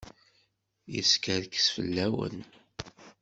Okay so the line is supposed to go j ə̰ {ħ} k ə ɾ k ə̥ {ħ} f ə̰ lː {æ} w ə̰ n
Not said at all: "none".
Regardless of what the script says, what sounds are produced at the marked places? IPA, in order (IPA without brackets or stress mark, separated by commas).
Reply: s, s, æ